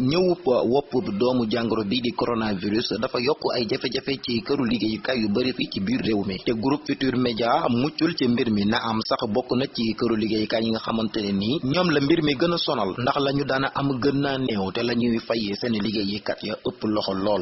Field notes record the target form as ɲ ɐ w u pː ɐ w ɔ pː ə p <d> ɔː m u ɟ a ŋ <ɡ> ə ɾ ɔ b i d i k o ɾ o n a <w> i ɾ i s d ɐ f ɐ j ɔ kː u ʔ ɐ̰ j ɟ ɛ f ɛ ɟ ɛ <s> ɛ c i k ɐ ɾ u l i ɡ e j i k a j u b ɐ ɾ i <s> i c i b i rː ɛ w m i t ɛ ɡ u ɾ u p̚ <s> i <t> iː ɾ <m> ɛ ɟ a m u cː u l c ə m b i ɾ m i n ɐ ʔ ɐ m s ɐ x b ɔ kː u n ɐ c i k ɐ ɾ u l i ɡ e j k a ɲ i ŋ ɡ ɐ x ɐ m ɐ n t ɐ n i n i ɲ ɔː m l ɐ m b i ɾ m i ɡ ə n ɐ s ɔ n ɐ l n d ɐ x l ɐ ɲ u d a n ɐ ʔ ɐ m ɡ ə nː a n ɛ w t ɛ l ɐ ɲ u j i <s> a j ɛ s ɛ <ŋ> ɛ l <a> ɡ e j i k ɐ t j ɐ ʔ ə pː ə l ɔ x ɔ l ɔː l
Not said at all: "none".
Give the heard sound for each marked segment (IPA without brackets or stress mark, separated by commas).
d, ɡ, v, f, f, f, t, m, f, n, i